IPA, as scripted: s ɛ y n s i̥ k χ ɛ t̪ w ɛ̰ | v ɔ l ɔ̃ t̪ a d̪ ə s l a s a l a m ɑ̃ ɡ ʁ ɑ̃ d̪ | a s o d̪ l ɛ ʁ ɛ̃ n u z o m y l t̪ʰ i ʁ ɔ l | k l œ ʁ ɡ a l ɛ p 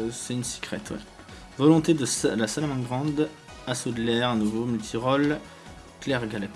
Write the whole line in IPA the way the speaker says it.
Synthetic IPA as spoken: s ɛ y n s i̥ k χ ɛ t̪ w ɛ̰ | v ɔ l ɔ̃ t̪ e d̪ ə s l a s a l a m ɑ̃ ɡ ʁ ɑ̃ d̪ | a s o d̪ l ɛ ʁ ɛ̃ n u v o m y l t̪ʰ i ʁ ɔ l | k l ɛ ʁ ɡ a l ɛ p

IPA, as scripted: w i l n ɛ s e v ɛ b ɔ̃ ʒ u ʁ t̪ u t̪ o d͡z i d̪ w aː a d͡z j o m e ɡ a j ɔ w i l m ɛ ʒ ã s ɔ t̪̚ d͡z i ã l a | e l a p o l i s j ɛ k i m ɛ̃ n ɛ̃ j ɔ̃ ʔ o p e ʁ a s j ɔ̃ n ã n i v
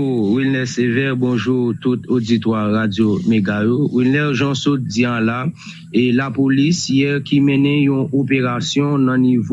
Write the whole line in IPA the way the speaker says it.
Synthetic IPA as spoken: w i l n ɛ s e v ɛ b ɔ̃ ʒ u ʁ t̪ u t̪ o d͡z i t̪ w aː a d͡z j o m e ɡ a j o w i l n ɛ ʒ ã s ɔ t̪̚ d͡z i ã l a | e l a p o l i s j ɛ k i m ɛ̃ n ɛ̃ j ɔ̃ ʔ o p e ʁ a s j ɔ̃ n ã n i v

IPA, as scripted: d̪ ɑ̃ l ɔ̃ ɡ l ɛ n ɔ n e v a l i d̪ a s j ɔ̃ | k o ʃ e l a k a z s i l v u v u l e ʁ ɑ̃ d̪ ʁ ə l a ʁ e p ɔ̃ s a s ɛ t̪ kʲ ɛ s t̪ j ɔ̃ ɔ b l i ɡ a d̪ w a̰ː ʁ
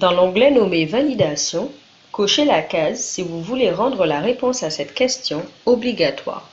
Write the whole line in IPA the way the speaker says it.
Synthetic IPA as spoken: d̪ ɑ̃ l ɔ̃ ɡ l ɛ n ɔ m e v a l i d̪ a s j ɔ̃ | k o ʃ e l a k a z s i v u v u l e ʁ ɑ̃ d̪ ʁ ə l a ʁ e p ɔ̃ s a s ɛ t̪ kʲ ɛ s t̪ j ɔ̃ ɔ b l i ɡ a t̪ w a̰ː ʁ

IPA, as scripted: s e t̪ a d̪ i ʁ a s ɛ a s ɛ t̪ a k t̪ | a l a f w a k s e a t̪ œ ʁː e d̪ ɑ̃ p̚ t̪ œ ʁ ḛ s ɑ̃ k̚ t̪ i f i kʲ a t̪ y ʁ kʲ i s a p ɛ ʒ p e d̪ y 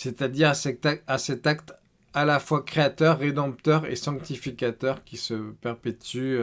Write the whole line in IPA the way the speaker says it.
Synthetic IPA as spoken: s e t̪ a d̪ i ʁ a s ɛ a s ɛ t̪ a k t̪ | a l a f w a k χ e a t̪ œ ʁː e d̪ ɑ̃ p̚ t̪ œ ʁ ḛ s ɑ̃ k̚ t̪ i f i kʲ a t̪ œ ʁ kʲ i s ə p ɛ ʁ p e t̪ y

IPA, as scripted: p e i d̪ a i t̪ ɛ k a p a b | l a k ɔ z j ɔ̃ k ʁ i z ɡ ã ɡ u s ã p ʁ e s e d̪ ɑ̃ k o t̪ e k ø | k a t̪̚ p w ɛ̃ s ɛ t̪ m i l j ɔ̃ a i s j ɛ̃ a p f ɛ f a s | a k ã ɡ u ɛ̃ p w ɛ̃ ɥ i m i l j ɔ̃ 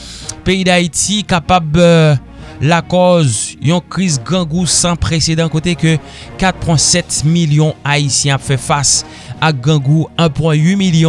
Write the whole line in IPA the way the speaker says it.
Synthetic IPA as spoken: p e i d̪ a i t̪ i k a p a b | l a k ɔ z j ɔ̃ k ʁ i z ɡ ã ɡ u s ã p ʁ e s e d̪ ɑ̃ k o t̪ e k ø | k a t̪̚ p w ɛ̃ s ɛ t̪ m i l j ɔ̃ a i s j ɛ̃ a p f ɛ f a s | a ɡ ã ɡ u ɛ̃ p w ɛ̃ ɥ i m i l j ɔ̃

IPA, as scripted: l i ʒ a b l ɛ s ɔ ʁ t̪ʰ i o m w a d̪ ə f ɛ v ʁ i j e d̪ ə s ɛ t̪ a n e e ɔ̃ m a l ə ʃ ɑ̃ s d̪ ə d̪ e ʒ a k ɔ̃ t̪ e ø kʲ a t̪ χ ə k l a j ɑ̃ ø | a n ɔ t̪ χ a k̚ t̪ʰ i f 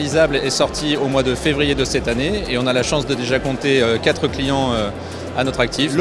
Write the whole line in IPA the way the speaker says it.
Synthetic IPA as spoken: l i z a b l ɛ s ɔ ʁ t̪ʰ i o m w a d̪ ə f e v ʁ i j e d̪ ə s ɛ t̪ a n e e ɔ̃ n a l a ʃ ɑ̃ s d̪ ə d̪ e ʒ a k ɔ̃ t̪ e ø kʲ a t̪ χ ə k l i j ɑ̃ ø | a n ɔ t̪ χ a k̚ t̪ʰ i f

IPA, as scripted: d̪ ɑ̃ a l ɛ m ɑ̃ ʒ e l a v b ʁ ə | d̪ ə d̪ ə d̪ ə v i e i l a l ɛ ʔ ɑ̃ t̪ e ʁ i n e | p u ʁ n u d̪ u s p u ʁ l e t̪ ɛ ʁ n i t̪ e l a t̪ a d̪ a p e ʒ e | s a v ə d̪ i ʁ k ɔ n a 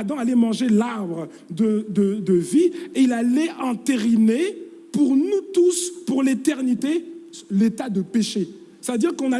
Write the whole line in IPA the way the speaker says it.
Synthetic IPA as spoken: d̪ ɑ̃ a l ɛ m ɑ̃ ʒ e l a ʁ b ʁ ə | d̪ ə d̪ ə d̪ ə v i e i l a l ɛ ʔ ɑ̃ t̪ e ʁ i n e | p u ʁ n u t̪ u s p u ʁ l e t̪ ɛ ʁ n i t̪ e l e t̪ a d̪ ə p e ʃ e | s a v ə d̪ i ʁ k ɔ̃ n a

